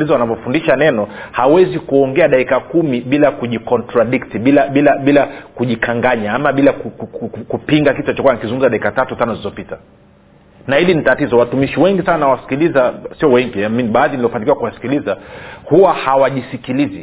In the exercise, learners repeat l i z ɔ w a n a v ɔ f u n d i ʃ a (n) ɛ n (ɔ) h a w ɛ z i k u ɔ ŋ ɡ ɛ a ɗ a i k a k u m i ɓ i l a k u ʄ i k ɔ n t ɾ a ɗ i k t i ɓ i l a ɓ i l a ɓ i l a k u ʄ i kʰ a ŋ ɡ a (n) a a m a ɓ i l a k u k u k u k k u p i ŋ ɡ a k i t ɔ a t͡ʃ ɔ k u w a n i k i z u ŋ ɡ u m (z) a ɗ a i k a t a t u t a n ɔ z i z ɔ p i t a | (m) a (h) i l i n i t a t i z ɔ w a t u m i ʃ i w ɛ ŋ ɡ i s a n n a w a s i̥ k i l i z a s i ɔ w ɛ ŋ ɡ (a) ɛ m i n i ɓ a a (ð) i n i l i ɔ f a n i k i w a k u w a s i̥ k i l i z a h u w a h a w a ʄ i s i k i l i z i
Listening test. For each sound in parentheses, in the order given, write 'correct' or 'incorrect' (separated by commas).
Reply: correct, correct, incorrect, correct, incorrect, correct, incorrect, correct